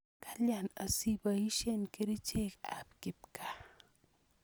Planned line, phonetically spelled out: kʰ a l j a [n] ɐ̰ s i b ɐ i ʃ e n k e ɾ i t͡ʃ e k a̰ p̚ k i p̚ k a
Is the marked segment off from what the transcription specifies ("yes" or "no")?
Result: no